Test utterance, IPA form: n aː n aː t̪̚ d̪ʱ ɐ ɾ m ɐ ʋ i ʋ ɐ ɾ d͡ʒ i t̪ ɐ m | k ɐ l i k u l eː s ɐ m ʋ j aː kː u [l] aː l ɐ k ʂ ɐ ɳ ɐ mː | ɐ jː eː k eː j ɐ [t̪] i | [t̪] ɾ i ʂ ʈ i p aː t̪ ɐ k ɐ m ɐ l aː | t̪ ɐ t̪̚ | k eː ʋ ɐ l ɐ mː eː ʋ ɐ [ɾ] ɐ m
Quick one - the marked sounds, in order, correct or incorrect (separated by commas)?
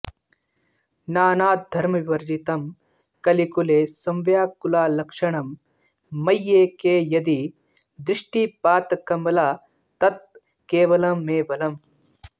correct, incorrect, incorrect, incorrect